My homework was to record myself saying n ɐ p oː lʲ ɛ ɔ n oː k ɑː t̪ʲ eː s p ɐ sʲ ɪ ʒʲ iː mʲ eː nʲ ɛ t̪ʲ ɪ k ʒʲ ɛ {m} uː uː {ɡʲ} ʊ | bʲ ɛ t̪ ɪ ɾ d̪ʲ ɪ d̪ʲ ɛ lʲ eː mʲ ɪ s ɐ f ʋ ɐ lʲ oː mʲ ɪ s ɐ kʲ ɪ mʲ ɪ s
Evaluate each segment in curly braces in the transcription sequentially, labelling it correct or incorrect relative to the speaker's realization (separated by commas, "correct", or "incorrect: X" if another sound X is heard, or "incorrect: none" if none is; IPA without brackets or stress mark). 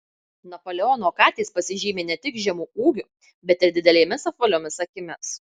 correct, correct